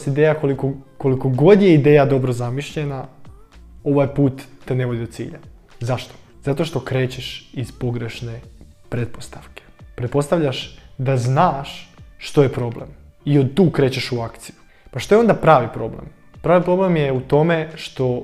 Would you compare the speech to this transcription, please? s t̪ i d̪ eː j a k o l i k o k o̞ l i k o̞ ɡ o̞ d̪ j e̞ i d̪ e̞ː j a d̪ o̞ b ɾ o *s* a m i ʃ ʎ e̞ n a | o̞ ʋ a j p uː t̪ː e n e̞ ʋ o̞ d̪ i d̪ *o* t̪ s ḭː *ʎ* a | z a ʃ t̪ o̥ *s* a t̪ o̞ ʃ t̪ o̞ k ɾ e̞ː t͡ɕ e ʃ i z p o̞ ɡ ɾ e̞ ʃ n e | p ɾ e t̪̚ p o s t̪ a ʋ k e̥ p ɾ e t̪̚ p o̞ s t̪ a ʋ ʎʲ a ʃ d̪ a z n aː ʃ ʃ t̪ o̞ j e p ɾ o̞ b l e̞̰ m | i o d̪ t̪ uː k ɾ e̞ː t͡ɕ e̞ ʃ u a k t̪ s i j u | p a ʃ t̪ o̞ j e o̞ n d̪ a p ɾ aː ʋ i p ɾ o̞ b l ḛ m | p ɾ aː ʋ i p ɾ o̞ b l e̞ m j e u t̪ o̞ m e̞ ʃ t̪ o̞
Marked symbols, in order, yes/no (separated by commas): no, yes, yes, no